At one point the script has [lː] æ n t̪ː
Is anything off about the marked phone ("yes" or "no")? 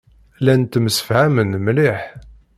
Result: yes